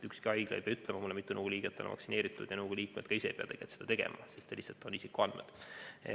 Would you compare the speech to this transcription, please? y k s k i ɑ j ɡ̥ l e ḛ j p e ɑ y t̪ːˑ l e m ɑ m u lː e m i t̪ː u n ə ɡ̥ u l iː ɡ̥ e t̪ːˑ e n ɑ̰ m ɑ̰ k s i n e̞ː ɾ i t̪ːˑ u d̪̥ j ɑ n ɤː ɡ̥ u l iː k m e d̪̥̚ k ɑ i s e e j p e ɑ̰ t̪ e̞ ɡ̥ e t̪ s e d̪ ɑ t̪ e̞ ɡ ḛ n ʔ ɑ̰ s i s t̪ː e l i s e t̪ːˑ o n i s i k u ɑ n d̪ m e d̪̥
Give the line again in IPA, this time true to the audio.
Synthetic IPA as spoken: y k s k i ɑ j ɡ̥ l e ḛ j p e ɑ y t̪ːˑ l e m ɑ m u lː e m i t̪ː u n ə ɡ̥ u l iː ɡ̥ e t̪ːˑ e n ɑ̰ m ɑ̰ k s i n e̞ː ɾ i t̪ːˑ u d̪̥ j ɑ n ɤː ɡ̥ u l iː k m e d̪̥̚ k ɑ i s e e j p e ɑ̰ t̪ e̞ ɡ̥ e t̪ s e d̪ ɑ t̪ e̞ ɡ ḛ m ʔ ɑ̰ s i s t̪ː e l i s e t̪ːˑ o n i s i k u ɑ n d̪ m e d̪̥